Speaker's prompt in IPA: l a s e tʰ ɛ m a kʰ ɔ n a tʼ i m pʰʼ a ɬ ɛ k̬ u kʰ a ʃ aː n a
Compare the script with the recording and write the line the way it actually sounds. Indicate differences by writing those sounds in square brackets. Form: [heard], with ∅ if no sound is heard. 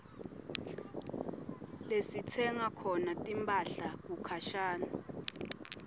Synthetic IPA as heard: l [e] s [i] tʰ ɛ [ŋ] a kʰ ɔ n a tʼ i m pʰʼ a ɬ [a] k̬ u kʰ a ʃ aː n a